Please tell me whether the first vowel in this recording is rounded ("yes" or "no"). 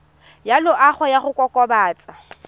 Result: no